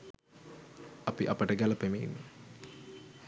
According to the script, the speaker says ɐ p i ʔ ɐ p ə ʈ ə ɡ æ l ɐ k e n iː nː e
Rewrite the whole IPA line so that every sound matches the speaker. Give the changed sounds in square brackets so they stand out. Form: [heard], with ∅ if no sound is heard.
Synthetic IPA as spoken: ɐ p i ʔ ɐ p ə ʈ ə ɡ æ l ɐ [p] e [m] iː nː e